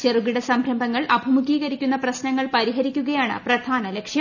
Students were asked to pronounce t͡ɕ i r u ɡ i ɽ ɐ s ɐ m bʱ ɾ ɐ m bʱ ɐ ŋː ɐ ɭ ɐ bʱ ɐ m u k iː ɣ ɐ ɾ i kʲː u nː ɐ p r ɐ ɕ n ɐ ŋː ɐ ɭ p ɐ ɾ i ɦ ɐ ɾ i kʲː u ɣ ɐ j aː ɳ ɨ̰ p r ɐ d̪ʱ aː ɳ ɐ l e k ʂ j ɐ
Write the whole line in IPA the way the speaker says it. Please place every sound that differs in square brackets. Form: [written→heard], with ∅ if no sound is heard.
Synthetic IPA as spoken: t͡ɕ [i→e] r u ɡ i ɽ ɐ s ɐ m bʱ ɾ ɐ m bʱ ɐ ŋː ɐ ɭ ɐ bʱ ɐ m u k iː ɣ ɐ ɾ i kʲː u nː ɐ p r ɐ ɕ n ɐ ŋː ɐ ɭ p ɐ ɾ i ɦ ɐ ɾ i kʲː u ɣ ɐ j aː ɳ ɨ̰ p r ɐ d̪ʱ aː [ɳ→n] ɐ l e k ʂ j ɐ